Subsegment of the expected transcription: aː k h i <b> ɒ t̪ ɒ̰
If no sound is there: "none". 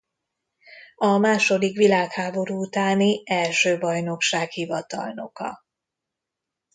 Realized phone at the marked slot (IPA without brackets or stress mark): v